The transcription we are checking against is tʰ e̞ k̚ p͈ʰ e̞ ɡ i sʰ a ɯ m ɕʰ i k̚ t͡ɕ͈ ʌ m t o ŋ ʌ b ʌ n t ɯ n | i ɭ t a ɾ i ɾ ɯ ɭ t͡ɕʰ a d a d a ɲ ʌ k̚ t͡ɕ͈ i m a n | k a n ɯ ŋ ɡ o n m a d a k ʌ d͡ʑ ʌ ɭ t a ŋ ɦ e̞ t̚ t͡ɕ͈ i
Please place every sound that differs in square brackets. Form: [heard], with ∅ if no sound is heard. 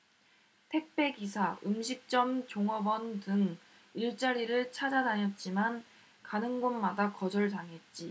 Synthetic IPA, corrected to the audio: tʰ e̞ k̚ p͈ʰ e̞ ɡ i sʰ a ɯ m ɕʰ i k̚ t͡ɕ͈ ʌ m [t͡ɕ] o ŋ ʌ b ʌ n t ɯ [ŋ] | i ɭ [t͡ɕ͈] a ɾ i ɾ ɯ ɭ t͡ɕʰ a [d͡ʑ] a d a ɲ ʌ [t̚] t͡ɕ͈ i m a n | k a n ɯ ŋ ɡ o n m a d a k ʌ d͡ʑ ʌ ɭ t a ŋ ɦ e̞ t̚ t͡ɕ͈ i